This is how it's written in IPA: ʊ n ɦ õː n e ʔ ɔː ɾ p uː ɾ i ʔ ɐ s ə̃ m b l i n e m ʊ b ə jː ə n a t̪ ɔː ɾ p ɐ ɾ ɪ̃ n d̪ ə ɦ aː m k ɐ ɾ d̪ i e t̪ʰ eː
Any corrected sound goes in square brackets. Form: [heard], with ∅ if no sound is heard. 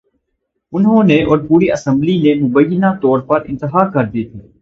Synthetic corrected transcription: ʊ n ɦ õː n e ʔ ɔː ɾ p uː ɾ i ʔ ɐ s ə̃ m b l i n e m ʊ b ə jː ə n a t̪ ɔː ɾ p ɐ ɾ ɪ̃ n [t̪] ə ɦ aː [∅] k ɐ ɾ d̪ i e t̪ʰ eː